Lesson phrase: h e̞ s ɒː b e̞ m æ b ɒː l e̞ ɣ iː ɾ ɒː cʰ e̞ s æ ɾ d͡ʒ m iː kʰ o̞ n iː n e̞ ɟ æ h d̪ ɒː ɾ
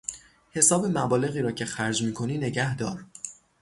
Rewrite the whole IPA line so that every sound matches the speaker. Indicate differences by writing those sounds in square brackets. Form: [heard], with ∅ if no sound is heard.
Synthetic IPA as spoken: h e̞ s ɒː b e̞ m æ b ɒː l e̞ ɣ iː ɾ ɒː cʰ e̞ [x] æ ɾ d͡ʒ m iː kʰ o̞ n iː n e̞ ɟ æ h d̪ ɒː ɾ